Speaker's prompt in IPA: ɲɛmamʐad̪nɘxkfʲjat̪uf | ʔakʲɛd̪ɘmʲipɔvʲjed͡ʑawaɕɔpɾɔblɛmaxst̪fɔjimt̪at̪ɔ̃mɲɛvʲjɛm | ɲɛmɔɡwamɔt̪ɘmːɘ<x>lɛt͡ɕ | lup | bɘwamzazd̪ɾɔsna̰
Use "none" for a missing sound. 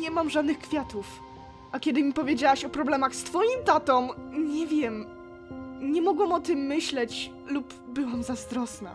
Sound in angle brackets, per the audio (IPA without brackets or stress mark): ɕ